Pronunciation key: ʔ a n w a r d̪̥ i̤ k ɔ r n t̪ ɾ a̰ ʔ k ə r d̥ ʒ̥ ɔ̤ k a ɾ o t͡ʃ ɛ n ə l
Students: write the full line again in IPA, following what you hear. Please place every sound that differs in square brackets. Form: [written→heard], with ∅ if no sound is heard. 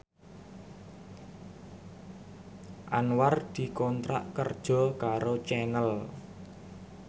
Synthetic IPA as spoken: ʔ a n w a r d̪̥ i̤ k ɔ [r→∅] n t̪ ɾ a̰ ʔ k ə r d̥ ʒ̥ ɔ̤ k a ɾ o t͡ʃ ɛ n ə l